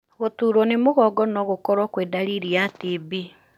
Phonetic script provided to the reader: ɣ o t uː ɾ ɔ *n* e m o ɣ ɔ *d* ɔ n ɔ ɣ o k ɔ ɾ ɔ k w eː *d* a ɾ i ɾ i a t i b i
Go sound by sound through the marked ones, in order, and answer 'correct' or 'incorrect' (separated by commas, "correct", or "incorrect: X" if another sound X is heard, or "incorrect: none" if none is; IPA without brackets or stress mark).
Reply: correct, incorrect: ɡ, correct